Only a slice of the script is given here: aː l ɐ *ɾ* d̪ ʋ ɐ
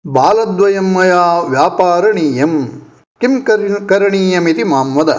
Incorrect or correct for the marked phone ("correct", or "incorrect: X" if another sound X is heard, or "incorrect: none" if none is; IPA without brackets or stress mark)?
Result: incorrect: none